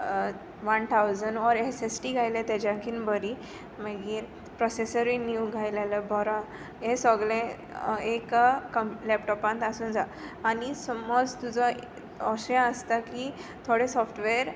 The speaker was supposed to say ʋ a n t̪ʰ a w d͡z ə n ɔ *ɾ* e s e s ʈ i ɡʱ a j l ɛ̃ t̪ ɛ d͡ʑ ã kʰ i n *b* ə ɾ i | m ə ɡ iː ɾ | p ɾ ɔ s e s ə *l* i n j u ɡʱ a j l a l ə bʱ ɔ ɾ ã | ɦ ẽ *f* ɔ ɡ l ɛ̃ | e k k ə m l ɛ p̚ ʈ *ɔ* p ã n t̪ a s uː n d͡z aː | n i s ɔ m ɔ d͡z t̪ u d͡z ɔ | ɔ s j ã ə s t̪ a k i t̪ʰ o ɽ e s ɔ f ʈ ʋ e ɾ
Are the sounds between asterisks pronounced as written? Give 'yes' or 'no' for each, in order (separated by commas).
yes, yes, no, no, yes